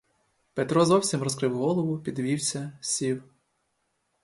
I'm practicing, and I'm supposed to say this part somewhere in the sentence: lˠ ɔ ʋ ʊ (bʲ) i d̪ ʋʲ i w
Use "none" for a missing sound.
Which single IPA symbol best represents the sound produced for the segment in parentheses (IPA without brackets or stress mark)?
pʲ